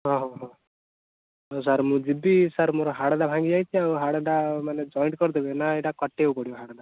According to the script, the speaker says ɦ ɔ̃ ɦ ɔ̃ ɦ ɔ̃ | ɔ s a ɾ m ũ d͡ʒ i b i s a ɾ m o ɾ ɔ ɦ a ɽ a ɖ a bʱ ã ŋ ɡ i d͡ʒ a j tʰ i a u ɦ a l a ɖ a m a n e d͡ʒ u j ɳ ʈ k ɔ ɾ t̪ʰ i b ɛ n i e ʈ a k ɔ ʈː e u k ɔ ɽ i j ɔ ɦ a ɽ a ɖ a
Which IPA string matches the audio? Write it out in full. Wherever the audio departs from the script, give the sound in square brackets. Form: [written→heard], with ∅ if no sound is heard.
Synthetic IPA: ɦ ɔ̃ ɦ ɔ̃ ɦ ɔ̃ | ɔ s a ɾ m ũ d͡ʒ i b i s a ɾ m o ɾ ɔ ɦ a ɽ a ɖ a bʱ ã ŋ ɡ i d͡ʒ a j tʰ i a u ɦ a [l→ɽ] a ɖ a m a n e d͡ʒ [u→ɔ] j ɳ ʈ k ɔ ɾ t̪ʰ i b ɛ n [i→a] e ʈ a k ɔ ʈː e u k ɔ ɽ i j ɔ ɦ a ɽ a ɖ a